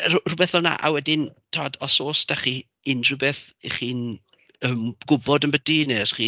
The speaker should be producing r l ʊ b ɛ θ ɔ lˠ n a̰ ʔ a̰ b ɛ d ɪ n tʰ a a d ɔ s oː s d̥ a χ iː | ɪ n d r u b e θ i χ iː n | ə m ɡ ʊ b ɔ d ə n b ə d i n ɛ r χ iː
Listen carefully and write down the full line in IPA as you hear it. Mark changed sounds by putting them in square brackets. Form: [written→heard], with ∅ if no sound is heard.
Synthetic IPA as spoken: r [l→r] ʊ b ɛ θ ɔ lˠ n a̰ ʔ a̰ [b→w] ɛ d ɪ n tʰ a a d ɔ s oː s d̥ a χ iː | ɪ n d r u b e θ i χ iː n | ə m ɡ ʊ b ɔ d ə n b ə d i n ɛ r χ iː